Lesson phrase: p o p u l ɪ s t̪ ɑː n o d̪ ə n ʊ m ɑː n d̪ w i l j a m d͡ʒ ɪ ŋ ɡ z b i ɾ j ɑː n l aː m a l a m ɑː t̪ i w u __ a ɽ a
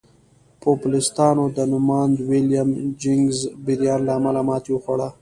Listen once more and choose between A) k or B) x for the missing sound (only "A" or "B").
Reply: B